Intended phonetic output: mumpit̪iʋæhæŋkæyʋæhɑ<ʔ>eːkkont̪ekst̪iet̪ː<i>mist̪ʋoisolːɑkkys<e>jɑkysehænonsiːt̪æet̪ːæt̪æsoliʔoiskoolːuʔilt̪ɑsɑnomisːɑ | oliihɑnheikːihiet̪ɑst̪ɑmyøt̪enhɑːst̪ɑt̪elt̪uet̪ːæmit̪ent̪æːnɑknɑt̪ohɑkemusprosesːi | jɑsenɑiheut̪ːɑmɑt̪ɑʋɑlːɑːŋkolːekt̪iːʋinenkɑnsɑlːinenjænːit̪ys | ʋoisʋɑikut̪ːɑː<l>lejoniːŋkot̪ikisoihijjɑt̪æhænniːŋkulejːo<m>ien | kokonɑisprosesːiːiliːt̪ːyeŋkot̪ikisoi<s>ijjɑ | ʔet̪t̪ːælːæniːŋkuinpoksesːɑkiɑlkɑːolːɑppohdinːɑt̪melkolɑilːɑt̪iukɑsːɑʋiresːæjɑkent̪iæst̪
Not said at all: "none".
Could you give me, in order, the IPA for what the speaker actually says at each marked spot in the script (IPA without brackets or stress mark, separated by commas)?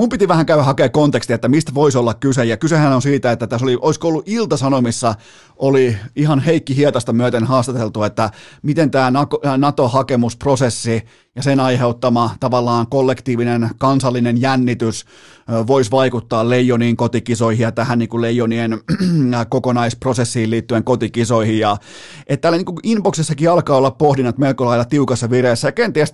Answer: k, æ, e, l, n, h